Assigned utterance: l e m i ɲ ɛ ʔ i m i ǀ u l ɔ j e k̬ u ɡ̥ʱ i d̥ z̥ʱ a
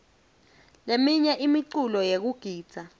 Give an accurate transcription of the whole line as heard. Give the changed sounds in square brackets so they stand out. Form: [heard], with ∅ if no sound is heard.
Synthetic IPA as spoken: l e m i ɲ ɛ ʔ i m i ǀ u l ɔ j e k̬ u ɡ̥ʱ [iː] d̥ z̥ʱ a